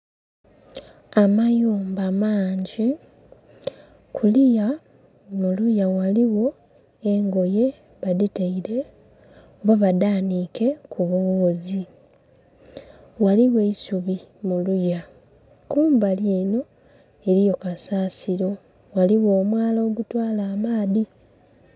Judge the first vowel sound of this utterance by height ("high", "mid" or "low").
low